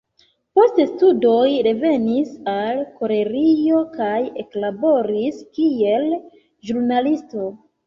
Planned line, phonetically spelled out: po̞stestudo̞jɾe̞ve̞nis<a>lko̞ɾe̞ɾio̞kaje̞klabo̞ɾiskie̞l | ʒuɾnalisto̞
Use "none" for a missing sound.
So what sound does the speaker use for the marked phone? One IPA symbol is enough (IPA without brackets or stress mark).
a